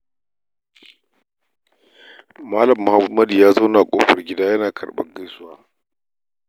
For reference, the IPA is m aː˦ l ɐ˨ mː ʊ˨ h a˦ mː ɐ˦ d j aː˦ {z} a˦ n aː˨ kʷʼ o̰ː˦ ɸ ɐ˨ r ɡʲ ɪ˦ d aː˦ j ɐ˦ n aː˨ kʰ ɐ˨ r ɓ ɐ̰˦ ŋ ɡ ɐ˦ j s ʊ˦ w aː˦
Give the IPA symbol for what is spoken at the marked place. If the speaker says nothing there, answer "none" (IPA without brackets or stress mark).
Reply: z